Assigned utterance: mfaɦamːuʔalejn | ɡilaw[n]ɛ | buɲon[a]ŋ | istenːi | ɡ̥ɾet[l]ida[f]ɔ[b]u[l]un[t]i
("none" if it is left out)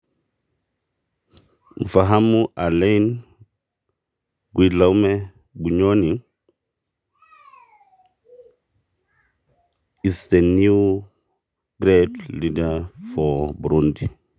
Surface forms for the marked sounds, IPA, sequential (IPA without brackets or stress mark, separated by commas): m, i, l, f, b, ɾ, d